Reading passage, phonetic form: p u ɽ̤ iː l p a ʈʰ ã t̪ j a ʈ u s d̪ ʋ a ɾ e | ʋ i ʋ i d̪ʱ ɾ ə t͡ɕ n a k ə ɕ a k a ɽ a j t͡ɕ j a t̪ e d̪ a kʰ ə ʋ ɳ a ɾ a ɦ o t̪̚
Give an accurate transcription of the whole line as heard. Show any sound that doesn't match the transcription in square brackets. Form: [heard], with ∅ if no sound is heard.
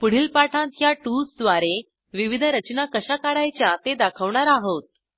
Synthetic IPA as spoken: p u ɽ̤ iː l p a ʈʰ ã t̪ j a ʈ u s d̪ ʋ a ɾ e | ʋ i ʋ i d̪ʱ ɾ ə t͡ɕ n a k ə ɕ a k a ɽ a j t͡ɕ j a t̪ e d̪ a kʰ ə ʋ ɳ a ɾ a ɦ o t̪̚